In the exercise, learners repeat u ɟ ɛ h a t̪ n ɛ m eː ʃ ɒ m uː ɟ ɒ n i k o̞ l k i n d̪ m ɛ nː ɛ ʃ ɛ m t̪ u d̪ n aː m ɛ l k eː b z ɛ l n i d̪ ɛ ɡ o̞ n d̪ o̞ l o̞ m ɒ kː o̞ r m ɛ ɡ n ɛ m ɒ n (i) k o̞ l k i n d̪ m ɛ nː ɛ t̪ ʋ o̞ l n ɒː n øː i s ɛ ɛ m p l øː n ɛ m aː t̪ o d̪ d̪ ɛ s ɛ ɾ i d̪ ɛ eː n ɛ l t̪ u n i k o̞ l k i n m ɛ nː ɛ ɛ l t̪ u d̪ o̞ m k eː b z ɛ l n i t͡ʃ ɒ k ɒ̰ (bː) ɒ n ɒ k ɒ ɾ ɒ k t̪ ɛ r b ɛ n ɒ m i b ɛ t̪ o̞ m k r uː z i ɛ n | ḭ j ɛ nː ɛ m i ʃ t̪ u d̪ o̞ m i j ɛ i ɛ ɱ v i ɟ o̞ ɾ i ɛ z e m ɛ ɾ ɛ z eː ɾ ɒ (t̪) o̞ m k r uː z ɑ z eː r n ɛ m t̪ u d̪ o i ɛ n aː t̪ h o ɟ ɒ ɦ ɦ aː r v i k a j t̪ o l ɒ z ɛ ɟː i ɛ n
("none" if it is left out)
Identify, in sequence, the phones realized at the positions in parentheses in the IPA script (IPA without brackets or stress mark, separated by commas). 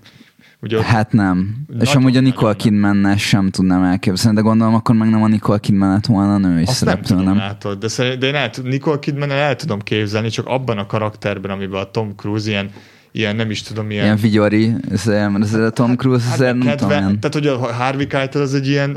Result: i, bː, t̪